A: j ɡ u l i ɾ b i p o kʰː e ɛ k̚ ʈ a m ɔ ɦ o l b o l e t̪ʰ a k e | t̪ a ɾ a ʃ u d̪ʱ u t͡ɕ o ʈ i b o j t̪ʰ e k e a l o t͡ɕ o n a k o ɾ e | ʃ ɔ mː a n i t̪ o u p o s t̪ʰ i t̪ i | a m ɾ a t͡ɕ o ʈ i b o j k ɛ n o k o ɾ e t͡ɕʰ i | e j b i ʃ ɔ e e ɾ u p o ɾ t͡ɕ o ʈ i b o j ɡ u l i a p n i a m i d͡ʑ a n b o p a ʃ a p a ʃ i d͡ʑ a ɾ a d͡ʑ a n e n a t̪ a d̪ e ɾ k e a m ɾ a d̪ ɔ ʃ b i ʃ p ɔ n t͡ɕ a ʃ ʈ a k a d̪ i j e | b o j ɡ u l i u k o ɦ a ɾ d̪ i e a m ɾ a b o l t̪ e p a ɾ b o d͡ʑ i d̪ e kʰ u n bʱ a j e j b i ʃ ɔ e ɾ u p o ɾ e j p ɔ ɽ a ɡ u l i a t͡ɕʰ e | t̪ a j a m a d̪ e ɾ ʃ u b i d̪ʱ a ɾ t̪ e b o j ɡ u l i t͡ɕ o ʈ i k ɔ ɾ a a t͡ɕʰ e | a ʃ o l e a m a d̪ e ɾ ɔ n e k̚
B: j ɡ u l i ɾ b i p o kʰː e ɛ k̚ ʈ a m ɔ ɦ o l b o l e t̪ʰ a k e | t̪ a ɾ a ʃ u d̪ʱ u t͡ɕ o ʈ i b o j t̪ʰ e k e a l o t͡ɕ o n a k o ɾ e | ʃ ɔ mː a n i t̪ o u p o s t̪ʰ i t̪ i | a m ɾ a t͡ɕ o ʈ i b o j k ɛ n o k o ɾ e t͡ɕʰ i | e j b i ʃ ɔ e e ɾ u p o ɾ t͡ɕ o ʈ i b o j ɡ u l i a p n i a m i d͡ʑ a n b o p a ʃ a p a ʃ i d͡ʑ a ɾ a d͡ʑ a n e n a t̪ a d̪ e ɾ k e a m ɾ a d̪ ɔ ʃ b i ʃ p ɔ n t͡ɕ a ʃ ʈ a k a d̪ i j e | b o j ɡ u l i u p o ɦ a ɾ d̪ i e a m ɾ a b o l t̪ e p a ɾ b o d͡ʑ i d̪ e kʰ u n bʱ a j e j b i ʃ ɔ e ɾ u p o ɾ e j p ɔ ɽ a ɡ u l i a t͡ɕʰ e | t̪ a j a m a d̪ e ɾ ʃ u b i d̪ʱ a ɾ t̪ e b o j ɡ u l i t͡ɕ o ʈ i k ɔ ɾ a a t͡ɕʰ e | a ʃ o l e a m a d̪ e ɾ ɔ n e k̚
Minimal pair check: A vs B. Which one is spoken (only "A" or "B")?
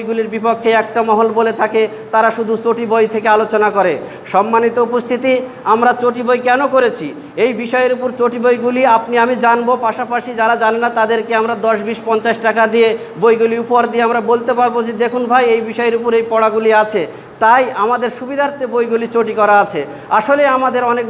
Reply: B